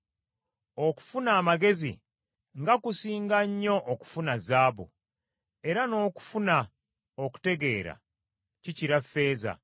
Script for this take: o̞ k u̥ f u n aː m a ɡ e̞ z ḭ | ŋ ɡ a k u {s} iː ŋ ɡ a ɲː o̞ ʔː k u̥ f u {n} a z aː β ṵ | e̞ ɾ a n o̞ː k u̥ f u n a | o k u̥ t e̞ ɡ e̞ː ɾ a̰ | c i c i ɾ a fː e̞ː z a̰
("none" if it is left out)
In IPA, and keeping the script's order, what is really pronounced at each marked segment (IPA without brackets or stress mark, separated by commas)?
s, n